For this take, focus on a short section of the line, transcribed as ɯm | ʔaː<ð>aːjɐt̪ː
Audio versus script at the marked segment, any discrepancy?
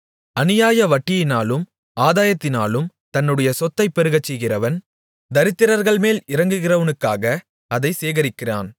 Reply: no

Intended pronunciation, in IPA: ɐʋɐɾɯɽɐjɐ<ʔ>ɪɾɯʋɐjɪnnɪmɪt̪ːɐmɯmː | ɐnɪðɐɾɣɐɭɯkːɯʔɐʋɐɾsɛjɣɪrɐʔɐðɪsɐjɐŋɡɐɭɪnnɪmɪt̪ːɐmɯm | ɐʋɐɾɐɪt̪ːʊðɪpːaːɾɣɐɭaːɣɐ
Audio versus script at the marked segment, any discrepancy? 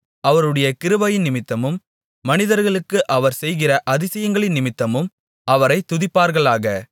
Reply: yes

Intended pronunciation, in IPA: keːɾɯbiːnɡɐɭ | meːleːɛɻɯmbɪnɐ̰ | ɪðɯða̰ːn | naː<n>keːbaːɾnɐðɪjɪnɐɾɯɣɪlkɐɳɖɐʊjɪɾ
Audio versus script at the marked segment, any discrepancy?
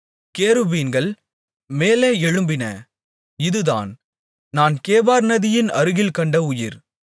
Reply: no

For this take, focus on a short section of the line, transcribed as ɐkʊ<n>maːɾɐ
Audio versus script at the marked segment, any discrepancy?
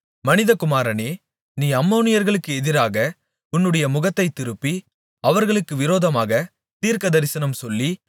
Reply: yes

